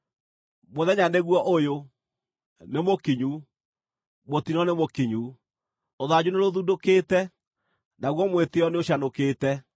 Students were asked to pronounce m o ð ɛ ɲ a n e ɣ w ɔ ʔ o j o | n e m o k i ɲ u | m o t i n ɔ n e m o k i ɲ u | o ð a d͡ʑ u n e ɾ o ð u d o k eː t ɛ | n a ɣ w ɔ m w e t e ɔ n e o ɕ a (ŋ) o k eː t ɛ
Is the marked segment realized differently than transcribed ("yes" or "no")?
yes